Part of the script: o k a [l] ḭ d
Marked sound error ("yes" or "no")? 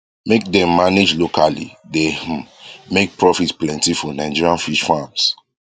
no